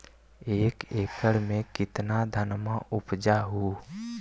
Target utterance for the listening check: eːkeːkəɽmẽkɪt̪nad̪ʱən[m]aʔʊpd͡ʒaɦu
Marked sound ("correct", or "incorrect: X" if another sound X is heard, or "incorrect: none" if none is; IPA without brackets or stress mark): correct